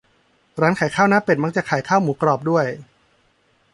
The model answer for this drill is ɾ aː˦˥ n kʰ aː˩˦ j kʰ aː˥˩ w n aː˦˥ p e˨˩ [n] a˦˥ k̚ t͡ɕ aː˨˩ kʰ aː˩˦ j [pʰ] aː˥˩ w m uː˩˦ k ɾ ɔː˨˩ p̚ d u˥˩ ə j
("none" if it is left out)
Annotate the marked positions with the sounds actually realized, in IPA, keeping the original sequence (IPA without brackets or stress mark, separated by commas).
m, kʰ